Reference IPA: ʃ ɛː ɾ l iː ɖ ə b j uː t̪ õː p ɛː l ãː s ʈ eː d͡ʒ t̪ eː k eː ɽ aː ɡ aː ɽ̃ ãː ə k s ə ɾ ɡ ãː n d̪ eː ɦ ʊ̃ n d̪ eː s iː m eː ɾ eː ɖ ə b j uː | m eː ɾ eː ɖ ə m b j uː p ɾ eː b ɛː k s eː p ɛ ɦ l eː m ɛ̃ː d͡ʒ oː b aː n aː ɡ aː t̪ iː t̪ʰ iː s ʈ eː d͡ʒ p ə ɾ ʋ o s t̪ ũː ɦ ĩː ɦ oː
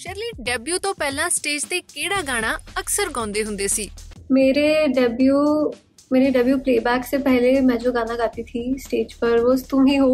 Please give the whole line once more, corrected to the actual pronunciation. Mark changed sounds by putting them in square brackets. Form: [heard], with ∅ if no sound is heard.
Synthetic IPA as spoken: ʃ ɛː ɾ l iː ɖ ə b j uː t̪ õː p ɛː l ãː s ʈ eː d͡ʒ t̪ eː k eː ɽ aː ɡ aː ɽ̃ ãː ə k s ə ɾ ɡ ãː n d̪ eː ɦ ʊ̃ n d̪ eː s iː m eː ɾ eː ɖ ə b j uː | m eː ɾ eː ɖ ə [∅] b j uː p [l] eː b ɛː k s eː p ɛ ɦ l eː m ɛ̃ː d͡ʒ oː [ɡ] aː n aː ɡ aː t̪ iː t̪ʰ iː s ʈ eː d͡ʒ p ə ɾ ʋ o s t̪ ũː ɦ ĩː ɦ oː